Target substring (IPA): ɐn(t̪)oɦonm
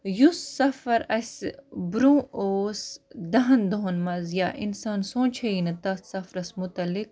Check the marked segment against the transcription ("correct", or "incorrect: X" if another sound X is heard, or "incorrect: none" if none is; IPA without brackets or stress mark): incorrect: d̪